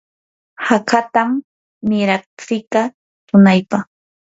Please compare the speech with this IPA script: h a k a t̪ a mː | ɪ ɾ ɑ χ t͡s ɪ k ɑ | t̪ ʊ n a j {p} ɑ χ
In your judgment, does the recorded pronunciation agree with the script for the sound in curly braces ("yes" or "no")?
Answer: yes